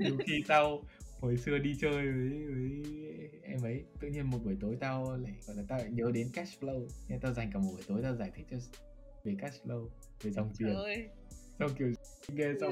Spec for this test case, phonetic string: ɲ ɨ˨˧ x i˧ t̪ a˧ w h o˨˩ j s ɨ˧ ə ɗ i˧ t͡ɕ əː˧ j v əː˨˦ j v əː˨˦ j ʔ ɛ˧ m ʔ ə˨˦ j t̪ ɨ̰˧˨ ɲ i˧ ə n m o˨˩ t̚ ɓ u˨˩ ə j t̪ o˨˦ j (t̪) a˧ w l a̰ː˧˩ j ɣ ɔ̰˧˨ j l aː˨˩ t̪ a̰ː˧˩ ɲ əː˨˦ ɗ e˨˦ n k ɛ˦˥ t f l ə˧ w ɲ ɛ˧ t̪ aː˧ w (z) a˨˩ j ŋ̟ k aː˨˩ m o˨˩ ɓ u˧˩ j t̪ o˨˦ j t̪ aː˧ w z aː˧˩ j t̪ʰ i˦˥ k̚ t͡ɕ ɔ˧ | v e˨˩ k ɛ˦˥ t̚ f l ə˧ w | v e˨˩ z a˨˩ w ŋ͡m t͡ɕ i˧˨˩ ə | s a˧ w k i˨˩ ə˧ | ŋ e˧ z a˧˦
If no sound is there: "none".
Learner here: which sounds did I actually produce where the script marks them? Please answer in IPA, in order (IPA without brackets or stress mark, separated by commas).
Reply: t̪, z